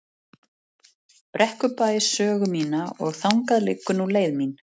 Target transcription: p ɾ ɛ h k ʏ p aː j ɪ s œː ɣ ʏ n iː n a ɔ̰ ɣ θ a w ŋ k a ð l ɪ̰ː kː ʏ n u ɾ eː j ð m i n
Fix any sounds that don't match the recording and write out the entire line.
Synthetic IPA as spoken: p ɾ ɛ h k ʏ p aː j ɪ s œː ɣ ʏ m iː n a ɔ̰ ɣ θ a w ŋ k a ð l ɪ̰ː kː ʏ n u l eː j ð m i n